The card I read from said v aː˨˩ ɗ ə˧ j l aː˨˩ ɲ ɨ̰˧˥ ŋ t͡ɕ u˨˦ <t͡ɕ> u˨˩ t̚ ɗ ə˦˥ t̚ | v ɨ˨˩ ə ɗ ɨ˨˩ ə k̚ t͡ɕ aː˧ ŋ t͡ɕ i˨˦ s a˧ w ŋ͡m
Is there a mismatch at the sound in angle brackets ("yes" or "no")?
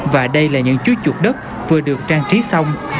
no